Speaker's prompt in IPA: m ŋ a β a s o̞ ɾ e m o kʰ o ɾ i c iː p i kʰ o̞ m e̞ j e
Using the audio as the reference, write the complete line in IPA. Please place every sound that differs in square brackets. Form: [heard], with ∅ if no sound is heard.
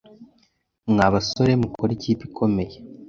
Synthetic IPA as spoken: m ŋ a β a s o̞ ɾ e m [u] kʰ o ɾ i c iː p i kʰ o̞ m e̞ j e